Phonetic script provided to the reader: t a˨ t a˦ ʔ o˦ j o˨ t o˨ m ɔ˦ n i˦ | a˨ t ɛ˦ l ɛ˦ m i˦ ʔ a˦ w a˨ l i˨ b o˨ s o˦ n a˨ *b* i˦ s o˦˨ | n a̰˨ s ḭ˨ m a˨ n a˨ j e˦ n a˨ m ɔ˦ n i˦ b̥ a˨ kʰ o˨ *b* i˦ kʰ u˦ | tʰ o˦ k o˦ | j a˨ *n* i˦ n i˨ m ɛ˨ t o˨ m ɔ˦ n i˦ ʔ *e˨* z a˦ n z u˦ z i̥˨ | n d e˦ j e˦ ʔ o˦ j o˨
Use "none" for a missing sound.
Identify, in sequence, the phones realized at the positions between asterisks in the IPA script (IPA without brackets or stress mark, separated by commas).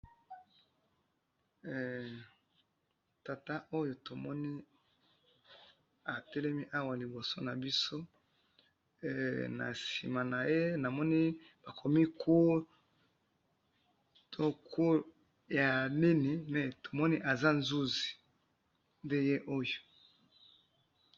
b, m, n, a˨